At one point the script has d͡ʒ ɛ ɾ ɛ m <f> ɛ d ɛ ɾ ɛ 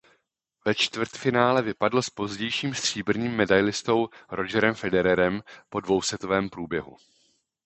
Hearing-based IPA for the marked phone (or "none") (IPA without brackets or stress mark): f